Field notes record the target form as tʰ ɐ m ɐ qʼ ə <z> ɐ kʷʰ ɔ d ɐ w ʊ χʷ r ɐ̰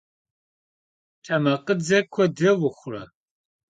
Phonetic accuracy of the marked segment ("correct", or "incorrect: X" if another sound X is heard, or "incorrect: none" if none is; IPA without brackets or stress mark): incorrect: d͡z